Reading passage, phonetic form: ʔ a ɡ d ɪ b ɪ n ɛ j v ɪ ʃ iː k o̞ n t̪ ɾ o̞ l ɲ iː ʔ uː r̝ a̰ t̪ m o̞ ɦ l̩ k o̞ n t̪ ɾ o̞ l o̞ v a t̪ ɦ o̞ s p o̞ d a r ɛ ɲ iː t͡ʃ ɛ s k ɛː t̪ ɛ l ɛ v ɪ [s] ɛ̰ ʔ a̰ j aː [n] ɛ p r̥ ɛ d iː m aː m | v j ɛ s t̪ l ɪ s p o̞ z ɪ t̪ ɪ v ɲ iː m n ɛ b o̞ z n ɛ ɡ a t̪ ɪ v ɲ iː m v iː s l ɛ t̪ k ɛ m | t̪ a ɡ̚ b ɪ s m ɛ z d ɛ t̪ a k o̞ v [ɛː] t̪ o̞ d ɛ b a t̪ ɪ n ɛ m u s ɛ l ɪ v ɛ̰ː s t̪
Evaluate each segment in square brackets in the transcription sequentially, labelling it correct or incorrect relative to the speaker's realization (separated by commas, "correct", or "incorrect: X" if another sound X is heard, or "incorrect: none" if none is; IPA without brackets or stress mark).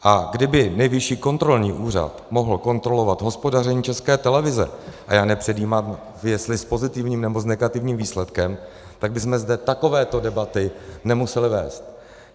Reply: incorrect: z, correct, correct